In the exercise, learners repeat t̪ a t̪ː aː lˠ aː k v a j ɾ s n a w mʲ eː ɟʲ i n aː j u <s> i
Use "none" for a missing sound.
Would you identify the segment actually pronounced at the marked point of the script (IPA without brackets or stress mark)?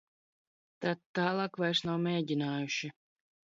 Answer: ʃ